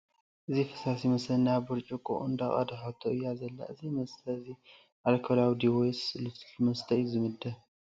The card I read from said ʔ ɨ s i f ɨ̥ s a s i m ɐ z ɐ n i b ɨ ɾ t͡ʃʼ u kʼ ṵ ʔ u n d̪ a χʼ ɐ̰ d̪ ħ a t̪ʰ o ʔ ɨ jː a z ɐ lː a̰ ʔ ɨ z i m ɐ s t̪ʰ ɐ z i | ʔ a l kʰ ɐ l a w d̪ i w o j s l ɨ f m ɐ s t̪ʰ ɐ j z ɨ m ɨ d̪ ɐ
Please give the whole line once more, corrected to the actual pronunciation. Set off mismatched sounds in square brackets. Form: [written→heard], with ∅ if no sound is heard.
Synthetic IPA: ʔ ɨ [s→z] i f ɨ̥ s a s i m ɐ [z→s] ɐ n [i→a] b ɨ ɾ t͡ʃʼ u kʼ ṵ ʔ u n d̪ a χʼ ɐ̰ d̪ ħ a t̪ʰ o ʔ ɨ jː a z ɐ lː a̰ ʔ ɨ z i m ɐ s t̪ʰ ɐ z i | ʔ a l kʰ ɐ l a w d̪ i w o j s l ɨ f m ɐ s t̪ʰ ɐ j z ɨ m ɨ d̪ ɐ

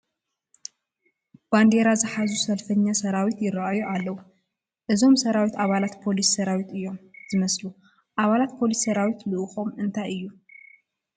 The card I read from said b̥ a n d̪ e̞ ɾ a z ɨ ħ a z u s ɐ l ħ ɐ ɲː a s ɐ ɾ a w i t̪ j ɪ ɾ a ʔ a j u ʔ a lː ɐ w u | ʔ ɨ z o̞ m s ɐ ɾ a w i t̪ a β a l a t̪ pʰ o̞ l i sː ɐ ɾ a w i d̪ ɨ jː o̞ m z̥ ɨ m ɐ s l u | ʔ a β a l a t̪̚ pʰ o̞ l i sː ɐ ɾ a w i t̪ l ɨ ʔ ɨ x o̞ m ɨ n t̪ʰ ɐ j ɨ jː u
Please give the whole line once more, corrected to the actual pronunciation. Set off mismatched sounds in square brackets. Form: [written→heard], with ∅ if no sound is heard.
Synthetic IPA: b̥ a n d̪ e̞ ɾ a z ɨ ħ a z u s ɐ l [ħ→f] ɐ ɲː a s ɐ ɾ a w i t̪ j ɪ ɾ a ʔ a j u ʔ a lː ɐ w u | ʔ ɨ z o̞ m s ɐ ɾ a w i t̪ a β a l a t̪ pʰ o̞ l i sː ɐ ɾ a w i [d̪→t̪] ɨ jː o̞ m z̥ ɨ m ɐ s l u | ʔ a β a l a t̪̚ pʰ o̞ l i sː ɐ ɾ a w i t̪ l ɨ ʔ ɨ x o̞ m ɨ n t̪ʰ [ɐ→a] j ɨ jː u

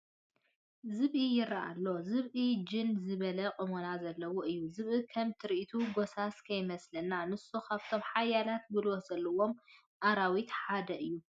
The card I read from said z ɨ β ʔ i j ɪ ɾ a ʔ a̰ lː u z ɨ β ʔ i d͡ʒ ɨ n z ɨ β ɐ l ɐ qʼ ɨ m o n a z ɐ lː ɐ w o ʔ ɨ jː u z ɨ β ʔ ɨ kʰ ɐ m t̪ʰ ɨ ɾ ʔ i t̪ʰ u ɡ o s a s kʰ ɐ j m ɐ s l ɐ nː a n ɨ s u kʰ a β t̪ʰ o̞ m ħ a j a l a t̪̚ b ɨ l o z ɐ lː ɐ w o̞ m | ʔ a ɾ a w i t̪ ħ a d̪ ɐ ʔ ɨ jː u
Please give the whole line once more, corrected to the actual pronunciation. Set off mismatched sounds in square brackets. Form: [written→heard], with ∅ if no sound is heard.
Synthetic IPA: z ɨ β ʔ i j ɪ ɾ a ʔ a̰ lː [u→o] z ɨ β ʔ i d͡ʒ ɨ n z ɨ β ɐ l ɐ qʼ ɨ m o n a z ɐ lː ɐ w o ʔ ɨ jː u z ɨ β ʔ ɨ kʰ ɐ m t̪ʰ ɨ ɾ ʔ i t̪ʰ u ɡ o s a s kʰ ɐ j m ɐ s l ɐ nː a n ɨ s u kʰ a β t̪ʰ o̞ m ħ a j a l a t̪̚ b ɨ l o z ɐ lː ɐ w o̞ m | ʔ a ɾ a w i t̪ ħ a d̪ ɐ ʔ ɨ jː u

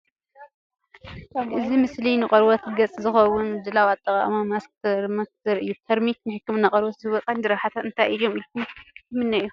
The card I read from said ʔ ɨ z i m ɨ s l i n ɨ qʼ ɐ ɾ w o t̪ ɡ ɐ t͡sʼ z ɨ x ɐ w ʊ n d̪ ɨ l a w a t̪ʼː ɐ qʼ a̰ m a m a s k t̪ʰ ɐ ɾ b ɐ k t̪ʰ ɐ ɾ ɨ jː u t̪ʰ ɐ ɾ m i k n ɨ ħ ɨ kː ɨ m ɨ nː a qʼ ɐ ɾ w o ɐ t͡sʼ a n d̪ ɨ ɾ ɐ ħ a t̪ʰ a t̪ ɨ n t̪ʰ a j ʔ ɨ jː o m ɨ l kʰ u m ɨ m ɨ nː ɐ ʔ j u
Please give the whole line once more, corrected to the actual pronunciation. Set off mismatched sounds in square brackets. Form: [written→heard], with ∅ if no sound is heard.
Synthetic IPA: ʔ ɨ z i m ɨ s l i n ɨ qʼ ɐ ɾ w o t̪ ɡ ɐ t͡sʼ z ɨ x ɐ w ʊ n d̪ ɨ l a w a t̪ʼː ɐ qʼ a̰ m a m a s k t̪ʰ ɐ ɾ [b→m] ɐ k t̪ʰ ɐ ɾ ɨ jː u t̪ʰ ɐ ɾ m i k n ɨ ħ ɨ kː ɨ m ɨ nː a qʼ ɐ ɾ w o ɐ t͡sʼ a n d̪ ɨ ɾ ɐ ħ a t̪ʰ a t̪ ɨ n t̪ʰ a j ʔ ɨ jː o m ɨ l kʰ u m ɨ m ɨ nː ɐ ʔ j u

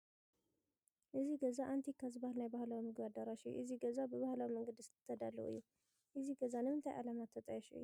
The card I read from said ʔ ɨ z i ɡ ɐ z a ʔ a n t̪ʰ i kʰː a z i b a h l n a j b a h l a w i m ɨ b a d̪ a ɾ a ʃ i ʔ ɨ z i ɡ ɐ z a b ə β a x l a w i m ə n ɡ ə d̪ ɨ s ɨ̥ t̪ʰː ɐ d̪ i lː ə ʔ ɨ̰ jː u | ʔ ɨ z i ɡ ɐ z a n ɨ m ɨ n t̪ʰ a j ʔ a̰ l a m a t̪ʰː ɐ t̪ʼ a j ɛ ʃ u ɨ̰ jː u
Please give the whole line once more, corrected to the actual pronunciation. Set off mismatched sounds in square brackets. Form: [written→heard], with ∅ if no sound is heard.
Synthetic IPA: ʔ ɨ z i ɡ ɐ z a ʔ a n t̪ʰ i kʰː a z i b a h l n a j b a h l a w i m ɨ [b→ɡ] a d̪ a ɾ a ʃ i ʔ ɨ z i ɡ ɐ z a b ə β a [x→h] l a w i m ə [n→ŋ] ɡ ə d̪ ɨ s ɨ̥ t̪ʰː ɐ d̪ [i→a] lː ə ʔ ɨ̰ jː u | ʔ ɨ z i ɡ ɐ z a n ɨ m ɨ n t̪ʰ a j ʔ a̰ l a m a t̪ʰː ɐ t̪ʼ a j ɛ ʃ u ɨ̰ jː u

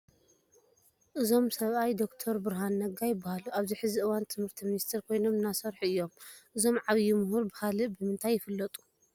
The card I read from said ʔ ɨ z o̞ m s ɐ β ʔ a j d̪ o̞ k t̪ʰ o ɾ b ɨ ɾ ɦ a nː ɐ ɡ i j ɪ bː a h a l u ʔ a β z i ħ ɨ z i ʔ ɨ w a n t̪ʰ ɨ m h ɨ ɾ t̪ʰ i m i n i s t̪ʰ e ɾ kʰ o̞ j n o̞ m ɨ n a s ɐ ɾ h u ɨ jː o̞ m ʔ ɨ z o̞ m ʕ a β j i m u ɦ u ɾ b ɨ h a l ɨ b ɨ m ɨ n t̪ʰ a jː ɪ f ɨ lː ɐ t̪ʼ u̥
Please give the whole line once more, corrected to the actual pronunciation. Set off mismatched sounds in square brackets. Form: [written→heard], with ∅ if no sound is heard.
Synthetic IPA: ʔ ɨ z o̞ m s ɐ β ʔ a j d̪ o̞ k t̪ʰ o ɾ b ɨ ɾ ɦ a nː ɐ ɡ [i→a] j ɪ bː a h a l u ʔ a β z i ħ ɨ z i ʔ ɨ w a n t̪ʰ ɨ m h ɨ ɾ t̪ʰ i m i n i s t̪ʰ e ɾ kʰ o̞ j n o̞ m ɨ n a s ɐ ɾ [h→ħ] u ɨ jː o̞ m ʔ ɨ z o̞ m ʕ a β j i m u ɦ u ɾ b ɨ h a l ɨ b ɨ m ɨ n t̪ʰ a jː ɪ f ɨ lː ɐ t̪ʼ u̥

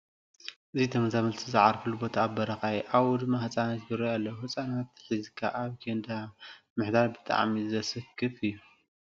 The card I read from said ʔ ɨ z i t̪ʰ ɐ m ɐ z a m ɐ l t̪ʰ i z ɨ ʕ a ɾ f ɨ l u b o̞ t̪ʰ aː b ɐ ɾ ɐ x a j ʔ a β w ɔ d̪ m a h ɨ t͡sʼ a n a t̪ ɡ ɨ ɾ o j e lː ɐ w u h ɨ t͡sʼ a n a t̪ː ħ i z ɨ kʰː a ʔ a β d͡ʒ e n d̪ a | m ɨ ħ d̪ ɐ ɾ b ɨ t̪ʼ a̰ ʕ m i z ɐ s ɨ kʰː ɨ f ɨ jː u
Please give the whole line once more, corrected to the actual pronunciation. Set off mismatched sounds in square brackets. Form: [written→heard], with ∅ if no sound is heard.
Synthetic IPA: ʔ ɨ z i t̪ʰ ɐ m ɐ z a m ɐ l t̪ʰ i z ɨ ʕ a ɾ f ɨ l u b o̞ t̪ʰ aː b ɐ ɾ ɐ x a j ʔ a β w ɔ d̪ m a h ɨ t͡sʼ a n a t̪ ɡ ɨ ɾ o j [e→a] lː ɐ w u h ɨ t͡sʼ a n a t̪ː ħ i z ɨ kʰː a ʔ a β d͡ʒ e n d̪ a | m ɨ ħ d̪ [ɐ→a] ɾ b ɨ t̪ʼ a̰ ʕ m i z ɐ s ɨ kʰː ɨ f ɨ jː u

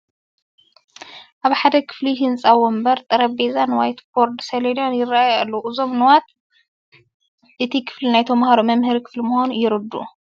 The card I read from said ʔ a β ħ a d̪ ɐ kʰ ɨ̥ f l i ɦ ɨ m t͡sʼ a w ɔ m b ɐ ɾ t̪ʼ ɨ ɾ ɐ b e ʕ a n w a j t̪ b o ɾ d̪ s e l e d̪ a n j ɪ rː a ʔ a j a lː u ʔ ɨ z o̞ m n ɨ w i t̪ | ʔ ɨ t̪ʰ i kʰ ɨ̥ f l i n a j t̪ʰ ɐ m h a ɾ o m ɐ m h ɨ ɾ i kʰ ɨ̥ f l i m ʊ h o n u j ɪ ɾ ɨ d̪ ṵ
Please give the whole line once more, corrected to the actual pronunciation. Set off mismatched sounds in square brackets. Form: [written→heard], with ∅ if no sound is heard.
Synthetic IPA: ʔ a β ħ a d̪ ɐ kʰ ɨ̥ f l i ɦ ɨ [m→n] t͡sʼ a w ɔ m b ɐ ɾ t̪ʼ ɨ ɾ ɐ b e [ʕ→z] a n w a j t̪ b o ɾ d̪ s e l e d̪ a n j ɪ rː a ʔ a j a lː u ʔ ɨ z o̞ m n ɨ w [i→a] t̪ | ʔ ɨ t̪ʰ i kʰ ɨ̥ f l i n a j t̪ʰ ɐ m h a ɾ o m ɐ m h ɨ ɾ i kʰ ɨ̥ f l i m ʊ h o n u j ɪ ɾ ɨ d̪ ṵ

